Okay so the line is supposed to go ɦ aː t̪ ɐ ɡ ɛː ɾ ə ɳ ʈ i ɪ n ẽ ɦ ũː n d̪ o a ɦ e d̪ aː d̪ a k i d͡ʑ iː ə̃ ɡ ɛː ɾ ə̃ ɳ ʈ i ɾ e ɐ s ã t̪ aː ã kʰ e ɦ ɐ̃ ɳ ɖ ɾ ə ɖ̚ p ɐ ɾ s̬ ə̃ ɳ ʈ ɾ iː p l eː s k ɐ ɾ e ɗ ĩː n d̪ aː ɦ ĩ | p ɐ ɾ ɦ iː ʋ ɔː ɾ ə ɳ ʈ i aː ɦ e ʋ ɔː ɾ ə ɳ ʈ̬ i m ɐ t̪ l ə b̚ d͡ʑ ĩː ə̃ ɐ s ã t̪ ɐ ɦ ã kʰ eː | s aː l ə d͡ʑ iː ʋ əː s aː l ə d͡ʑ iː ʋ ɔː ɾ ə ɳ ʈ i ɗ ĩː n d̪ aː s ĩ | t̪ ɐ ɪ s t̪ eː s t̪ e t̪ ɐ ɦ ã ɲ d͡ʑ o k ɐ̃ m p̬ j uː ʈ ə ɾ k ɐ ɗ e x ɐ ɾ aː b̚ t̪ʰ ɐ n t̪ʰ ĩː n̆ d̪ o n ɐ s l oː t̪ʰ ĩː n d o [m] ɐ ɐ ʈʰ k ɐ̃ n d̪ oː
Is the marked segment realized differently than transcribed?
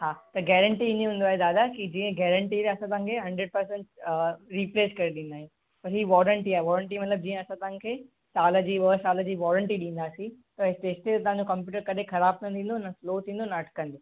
yes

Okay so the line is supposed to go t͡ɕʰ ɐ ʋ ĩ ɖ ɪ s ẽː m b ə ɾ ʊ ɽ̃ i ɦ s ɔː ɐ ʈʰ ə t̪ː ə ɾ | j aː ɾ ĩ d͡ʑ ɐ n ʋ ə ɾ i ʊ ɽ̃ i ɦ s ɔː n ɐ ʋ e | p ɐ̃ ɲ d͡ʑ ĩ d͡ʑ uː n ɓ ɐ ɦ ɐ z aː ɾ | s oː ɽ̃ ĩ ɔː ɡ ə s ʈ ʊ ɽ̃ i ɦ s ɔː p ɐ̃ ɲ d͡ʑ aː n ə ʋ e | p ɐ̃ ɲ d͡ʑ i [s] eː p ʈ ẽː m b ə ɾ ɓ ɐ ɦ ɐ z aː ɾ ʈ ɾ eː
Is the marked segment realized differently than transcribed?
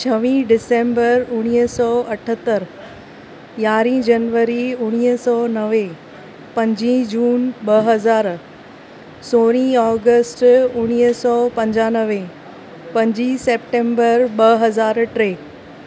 no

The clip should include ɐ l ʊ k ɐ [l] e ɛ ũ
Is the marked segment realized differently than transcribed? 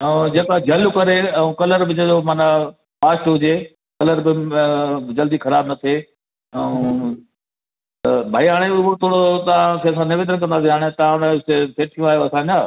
yes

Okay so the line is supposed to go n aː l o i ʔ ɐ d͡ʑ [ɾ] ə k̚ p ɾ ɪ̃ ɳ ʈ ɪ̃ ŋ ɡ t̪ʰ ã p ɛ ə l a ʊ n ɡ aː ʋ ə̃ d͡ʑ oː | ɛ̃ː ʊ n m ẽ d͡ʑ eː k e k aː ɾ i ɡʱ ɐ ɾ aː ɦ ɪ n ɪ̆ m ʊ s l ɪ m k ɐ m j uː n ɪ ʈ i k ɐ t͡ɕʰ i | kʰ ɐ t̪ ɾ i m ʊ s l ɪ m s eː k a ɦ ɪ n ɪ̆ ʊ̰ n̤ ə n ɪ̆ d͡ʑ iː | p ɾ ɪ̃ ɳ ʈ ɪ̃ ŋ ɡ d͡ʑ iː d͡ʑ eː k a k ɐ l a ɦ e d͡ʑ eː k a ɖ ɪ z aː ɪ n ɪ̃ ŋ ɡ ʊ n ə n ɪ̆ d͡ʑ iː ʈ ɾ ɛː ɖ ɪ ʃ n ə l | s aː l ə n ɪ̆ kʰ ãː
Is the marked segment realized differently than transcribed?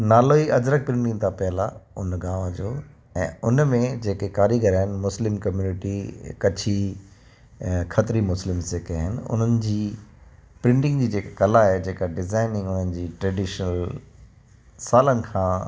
no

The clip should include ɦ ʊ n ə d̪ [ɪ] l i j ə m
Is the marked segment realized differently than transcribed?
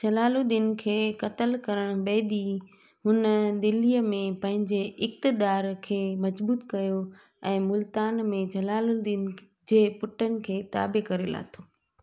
no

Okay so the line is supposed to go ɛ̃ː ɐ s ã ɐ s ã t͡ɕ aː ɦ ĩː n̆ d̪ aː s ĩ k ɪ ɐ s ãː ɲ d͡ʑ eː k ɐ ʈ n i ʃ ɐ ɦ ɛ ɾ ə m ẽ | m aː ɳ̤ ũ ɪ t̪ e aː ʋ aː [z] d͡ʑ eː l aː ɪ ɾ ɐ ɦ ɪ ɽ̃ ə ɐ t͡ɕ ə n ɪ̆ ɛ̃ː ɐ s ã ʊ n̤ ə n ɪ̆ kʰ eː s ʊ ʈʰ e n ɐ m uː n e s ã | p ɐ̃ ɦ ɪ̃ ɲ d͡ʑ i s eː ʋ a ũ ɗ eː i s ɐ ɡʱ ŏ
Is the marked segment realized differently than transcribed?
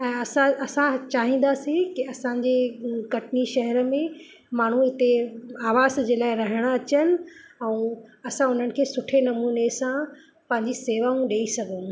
no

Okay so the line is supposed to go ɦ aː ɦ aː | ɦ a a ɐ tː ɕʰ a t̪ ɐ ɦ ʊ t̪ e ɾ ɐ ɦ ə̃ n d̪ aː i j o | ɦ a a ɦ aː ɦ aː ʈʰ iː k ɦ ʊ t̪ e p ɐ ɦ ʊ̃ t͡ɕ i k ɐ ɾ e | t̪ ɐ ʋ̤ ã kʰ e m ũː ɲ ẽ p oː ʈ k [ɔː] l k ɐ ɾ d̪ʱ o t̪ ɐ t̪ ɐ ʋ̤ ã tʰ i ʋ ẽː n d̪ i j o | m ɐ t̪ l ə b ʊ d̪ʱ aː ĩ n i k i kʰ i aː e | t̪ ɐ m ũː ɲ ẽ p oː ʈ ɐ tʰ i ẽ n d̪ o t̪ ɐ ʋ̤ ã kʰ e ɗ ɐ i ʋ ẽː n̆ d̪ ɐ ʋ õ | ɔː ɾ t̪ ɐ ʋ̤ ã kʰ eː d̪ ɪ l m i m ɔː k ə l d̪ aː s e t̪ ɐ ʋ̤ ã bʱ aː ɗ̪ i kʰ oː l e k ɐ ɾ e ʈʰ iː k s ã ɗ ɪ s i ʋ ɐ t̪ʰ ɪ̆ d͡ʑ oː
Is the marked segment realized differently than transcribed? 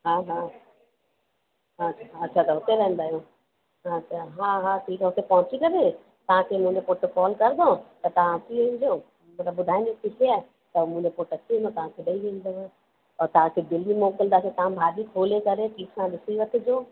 no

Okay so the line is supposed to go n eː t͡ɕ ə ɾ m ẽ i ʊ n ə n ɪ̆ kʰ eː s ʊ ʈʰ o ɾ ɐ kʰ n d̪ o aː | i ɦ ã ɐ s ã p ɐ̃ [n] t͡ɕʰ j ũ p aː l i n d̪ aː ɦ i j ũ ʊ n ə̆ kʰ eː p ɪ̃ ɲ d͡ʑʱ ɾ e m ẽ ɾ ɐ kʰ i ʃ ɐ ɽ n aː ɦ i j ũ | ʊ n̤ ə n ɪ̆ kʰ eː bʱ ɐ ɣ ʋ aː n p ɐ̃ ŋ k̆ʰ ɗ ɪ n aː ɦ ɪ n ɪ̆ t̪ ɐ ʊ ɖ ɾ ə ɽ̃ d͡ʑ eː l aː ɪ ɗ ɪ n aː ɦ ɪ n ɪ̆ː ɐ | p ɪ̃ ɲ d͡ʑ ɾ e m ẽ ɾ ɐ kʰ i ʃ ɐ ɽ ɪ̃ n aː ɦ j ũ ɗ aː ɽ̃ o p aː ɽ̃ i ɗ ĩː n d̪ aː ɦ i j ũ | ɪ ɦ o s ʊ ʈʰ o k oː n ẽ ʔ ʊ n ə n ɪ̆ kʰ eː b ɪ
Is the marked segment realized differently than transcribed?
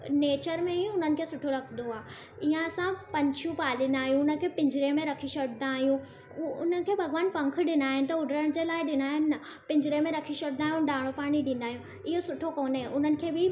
yes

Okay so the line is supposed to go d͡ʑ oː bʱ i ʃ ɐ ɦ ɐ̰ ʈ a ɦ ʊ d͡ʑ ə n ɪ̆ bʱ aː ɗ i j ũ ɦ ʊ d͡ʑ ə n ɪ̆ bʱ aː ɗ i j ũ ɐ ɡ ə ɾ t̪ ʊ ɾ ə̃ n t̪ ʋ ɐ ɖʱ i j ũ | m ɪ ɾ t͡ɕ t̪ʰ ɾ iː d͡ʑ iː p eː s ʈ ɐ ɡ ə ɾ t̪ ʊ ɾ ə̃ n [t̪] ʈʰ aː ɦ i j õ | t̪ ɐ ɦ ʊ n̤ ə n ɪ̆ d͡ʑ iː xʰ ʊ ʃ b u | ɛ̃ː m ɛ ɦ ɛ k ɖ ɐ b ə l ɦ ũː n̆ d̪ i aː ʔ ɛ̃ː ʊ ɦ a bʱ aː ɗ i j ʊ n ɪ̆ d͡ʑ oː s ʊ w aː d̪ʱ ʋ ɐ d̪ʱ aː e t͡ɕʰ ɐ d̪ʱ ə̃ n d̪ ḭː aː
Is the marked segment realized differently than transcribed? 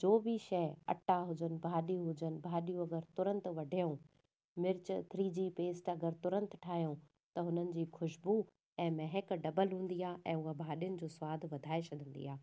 no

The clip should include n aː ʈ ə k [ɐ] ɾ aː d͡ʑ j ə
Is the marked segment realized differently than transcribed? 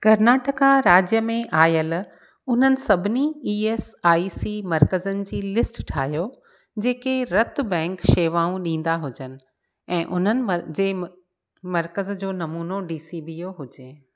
yes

